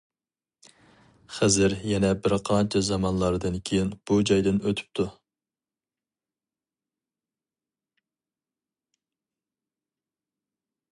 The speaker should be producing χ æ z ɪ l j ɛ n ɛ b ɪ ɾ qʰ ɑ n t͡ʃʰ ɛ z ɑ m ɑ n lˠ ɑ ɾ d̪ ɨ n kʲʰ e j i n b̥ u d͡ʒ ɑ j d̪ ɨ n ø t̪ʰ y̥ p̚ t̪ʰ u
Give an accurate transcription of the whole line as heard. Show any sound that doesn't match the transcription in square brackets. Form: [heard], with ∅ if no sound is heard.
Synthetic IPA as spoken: χ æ z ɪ [ɾ] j ɛ n ɛ b ɪ ɾ qʰ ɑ n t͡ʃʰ ɛ z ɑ m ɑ n lˠ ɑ ɾ d̪ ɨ n kʲʰ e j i n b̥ u d͡ʒ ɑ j d̪ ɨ n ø t̪ʰ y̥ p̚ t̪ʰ u

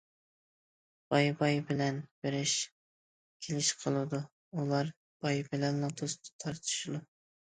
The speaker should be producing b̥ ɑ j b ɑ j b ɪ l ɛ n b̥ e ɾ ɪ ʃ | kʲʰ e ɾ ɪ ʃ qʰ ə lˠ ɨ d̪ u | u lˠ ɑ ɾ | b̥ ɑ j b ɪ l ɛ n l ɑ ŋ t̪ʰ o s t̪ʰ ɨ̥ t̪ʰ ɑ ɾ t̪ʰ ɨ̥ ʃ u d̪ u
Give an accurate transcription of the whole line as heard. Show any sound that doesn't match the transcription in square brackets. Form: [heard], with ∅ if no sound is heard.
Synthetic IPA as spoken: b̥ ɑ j b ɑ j b ɪ l ɛ n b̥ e ɾ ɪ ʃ | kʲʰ e [l] ɪ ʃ qʰ ə lˠ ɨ d̪ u | u lˠ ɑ ɾ | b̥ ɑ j b ɪ l ɛ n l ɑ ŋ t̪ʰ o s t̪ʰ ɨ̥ t̪ʰ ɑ ɾ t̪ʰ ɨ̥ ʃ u d̪ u

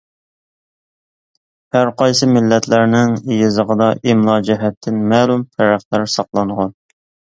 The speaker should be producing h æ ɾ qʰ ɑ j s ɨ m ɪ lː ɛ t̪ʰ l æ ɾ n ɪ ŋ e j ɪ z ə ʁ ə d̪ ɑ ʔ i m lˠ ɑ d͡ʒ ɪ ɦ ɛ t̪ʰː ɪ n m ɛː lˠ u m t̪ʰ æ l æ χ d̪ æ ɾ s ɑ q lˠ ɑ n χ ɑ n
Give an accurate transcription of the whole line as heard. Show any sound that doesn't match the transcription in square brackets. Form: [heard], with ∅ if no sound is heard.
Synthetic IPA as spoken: h æ ɾ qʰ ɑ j s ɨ m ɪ lː ɛ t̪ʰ l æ ɾ n ɪ ŋ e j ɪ z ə ʁ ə d̪ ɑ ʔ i m lˠ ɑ d͡ʒ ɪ ɦ ɛ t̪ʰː ɪ n m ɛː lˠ u m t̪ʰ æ [ɾ] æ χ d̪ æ ɾ s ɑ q lˠ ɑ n [ʁ] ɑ n

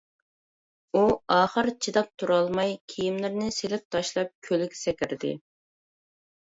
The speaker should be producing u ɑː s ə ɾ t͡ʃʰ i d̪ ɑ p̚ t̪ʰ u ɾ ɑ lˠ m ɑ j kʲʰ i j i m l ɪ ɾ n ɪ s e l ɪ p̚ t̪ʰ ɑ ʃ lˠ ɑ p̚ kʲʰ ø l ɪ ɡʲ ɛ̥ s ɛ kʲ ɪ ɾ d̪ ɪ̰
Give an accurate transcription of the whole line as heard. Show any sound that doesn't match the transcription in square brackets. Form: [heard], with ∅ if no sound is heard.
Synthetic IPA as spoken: u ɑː [χ] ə ɾ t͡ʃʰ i d̪ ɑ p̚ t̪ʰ u ɾ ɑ lˠ m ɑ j kʲʰ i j i m l ɪ ɾ n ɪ s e l ɪ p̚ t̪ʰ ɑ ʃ lˠ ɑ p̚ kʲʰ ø l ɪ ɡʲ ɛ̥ s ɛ kʲ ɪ ɾ d̪ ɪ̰

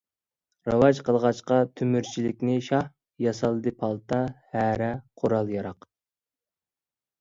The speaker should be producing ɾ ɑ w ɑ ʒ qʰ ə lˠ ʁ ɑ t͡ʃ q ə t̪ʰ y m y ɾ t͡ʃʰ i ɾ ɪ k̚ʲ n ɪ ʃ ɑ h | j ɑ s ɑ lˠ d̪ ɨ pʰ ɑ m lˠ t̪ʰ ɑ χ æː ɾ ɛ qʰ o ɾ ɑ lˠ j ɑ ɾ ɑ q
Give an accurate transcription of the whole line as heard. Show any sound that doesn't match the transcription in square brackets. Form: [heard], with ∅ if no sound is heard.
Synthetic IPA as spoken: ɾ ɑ w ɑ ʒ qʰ ə lˠ ʁ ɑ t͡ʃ q [ɑ] t̪ʰ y m y ɾ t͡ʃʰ i [l] ɪ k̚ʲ n ɪ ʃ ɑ h | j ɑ s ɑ lˠ d̪ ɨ pʰ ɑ [∅] lˠ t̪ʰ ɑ [h] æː ɾ ɛ qʰ o ɾ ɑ lˠ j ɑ ɾ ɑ q

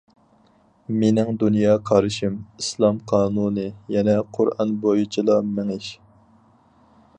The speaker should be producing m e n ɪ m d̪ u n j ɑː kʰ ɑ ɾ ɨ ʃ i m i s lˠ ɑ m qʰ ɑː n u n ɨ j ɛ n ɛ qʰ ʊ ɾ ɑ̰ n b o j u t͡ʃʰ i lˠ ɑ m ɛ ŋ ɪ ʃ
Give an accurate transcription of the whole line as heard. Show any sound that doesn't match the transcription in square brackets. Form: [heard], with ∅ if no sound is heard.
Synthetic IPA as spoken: m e n ɪ [ŋ] d̪ u n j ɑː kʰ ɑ ɾ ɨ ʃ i m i s lˠ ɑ m qʰ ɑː n u n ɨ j ɛ n ɛ qʰ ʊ ɾ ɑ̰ n b o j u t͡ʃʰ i lˠ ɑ m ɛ ŋ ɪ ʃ

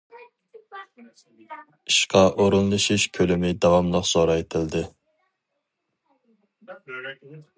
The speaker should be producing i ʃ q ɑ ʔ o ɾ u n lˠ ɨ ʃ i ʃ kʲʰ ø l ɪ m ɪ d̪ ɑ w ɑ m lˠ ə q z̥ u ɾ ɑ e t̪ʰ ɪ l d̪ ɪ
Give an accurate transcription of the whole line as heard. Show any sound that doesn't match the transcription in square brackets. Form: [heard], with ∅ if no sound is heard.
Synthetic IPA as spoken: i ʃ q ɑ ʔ o ɾ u n lˠ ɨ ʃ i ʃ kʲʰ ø l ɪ m ɪ d̪ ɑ w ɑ m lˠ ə q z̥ [o] ɾ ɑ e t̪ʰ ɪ l d̪ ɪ

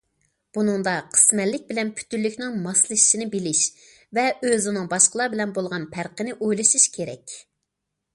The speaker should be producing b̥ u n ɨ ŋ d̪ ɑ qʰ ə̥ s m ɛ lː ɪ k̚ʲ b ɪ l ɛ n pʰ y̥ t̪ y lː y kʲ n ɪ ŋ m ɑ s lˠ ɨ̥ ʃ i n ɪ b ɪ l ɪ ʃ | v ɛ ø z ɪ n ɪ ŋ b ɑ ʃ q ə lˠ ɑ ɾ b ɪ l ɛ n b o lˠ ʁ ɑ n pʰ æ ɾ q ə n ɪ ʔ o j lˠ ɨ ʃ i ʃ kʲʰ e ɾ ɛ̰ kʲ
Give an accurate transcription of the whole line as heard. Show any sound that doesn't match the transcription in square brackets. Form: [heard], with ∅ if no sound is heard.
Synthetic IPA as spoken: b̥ u n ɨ ŋ d̪ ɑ qʰ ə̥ s m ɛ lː ɪ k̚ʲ b ɪ l ɛ n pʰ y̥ t̪ y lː y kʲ n ɪ ŋ m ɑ s lˠ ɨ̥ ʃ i n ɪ b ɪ l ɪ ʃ | v ɛ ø z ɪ n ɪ ŋ b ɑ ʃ q ə lˠ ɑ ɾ b ɪ l ɛ n b o lˠ ʁ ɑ n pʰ æ ɾ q ə n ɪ ʔ o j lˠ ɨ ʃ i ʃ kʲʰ e ɾ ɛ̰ kʲ

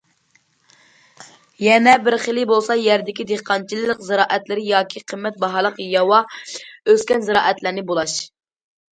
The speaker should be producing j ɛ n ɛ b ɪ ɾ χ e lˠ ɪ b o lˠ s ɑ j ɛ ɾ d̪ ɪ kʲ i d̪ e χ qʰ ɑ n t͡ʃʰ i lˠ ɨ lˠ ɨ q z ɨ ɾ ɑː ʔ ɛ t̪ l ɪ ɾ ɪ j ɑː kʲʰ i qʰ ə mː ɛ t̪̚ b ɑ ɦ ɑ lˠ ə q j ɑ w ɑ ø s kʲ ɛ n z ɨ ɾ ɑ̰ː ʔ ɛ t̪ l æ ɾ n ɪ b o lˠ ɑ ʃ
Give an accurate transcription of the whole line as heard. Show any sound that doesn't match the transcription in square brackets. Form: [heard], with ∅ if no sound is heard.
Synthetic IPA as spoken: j ɛ n ɛ b ɪ ɾ χ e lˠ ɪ b o lˠ s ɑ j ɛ ɾ d̪ ɪ kʲ i d̪ e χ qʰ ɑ n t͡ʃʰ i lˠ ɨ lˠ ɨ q z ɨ ɾ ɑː ʔ ɛ t̪ l ɪ ɾ ɪ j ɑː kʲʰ i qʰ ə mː ɛ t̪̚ b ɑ ɦ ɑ lˠ ə q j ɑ w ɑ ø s kʲ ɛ n z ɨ ɾ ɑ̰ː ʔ ɛ t̪ l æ ɾ n ɪ b o lˠ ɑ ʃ

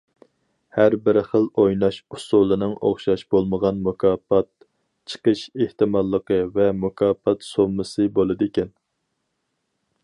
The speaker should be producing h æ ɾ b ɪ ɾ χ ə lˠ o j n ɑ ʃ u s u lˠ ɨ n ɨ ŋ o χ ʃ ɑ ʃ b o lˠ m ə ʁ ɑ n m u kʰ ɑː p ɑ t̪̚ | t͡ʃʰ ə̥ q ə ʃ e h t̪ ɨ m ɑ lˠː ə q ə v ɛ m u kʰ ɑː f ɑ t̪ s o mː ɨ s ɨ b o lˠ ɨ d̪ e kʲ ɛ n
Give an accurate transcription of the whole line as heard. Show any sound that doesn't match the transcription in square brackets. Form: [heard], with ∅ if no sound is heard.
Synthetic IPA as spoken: h æ ɾ b ɪ ɾ χ ə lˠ o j n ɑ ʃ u s u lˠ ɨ n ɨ ŋ o χ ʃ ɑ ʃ b o lˠ m ə ʁ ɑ n m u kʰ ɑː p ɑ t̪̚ | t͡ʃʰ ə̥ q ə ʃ e h t̪ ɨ m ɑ lˠː ə q ə v ɛ m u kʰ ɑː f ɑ t̪ s o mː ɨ s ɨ b o lˠ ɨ d̪ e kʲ ɛ n

